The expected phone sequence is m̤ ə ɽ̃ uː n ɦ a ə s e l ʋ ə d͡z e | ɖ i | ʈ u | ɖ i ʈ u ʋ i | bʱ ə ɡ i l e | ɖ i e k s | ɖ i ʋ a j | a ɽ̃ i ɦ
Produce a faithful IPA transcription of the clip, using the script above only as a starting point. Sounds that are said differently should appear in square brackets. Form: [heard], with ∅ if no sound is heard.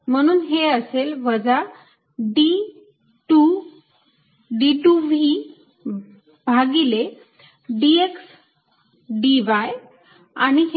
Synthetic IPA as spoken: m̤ ə ɽ̃ uː n ɦ [e] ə s e l ʋ ə d͡z [a] | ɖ i | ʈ u | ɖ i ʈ u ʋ i | bʱ [a] ɡ i l e | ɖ i e k s | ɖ i ʋ a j | a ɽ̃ i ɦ